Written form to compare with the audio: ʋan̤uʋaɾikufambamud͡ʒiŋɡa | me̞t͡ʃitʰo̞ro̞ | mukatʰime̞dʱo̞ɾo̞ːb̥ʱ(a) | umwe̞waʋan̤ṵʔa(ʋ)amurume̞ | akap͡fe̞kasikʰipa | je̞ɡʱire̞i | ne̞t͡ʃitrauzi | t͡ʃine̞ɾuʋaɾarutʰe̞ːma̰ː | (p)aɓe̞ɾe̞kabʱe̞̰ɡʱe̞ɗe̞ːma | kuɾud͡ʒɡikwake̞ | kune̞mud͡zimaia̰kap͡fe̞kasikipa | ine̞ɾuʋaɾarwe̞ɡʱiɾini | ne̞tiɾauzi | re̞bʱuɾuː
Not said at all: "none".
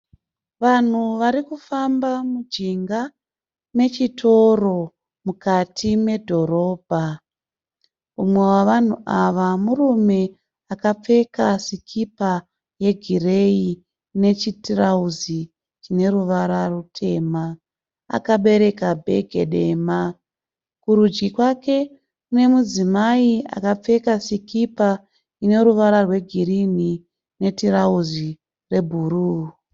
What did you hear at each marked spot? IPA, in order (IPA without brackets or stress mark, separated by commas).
a, ʋ, k